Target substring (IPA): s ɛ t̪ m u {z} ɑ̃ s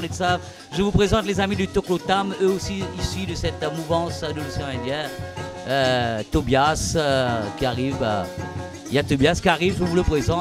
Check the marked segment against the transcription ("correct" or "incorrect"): incorrect